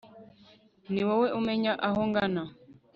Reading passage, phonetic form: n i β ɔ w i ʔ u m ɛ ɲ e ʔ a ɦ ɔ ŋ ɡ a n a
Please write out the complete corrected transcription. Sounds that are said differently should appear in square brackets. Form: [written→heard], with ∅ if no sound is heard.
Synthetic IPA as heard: n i [β→w] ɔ w [i→ɛ] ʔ u m ɛ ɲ [e→a] ʔ a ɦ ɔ ŋ ɡ a n a